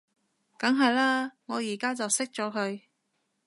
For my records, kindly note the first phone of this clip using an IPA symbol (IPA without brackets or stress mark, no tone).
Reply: k